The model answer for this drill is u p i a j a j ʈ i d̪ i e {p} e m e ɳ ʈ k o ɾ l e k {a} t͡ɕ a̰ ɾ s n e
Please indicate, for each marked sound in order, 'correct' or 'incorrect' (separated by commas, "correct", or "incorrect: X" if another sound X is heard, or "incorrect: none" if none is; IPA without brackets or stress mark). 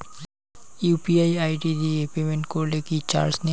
correct, incorrect: i